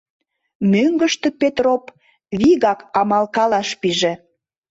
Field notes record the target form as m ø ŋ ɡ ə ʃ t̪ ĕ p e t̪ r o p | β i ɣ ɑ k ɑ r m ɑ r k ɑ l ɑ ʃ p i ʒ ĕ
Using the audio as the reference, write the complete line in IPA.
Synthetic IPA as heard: m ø ŋ ɡ ə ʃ t̪ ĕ p e t̪ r o p | β i ɣ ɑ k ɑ m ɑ l k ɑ l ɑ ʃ p i ʒ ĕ